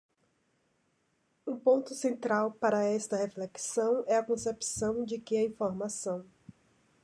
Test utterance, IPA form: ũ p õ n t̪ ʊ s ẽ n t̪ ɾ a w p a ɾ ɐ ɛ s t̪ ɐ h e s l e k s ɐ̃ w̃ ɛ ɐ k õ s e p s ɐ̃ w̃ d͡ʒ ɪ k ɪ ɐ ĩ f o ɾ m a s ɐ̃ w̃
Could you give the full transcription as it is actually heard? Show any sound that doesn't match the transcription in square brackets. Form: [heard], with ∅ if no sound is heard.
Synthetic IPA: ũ p õ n t̪ ʊ s ẽ n t̪ ɾ a w p a ɾ ɐ ɛ s t̪ ɐ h e [f] l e k s ɐ̃ w̃ ɛ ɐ k õ s e p s ɐ̃ w̃ d͡ʒ ɪ k ɪ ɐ ĩ f o ɾ m a s ɐ̃ w̃